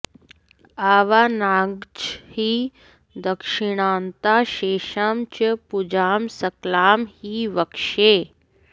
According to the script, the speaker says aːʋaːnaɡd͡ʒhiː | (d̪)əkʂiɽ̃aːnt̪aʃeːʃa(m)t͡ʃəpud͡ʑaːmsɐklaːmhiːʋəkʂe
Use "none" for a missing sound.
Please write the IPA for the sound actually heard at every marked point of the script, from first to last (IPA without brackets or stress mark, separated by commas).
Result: d̪, m